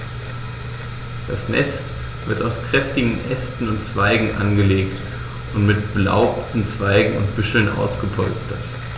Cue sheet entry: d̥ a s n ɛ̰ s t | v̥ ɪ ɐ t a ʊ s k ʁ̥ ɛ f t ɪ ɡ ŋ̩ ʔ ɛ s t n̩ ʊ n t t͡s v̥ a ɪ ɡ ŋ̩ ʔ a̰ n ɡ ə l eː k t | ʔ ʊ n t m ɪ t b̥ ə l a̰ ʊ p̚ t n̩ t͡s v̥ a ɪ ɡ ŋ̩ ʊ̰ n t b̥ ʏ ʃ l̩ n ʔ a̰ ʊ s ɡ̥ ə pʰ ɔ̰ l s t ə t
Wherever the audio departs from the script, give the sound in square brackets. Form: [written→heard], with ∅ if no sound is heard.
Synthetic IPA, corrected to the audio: d̥ a s n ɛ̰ s t | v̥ ɪ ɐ t a ʊ s k ʁ̥ ɛ f t ɪ ɡ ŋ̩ ʔ ɛ s t n̩ ʊ n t t͡s v̥ a ɪ ɡ ŋ̩ ʔ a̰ n ɡ ə l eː k t | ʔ ʊ n t m ɪ t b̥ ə l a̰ ʊ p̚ t n̩ t͡s v̥ a ɪ ɡ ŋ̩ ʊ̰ n t b̥ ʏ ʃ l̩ n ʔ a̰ ʊ s ɡ̥ ə pʰ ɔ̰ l s t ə t